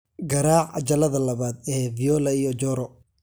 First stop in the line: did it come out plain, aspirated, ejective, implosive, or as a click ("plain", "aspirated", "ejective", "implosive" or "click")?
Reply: plain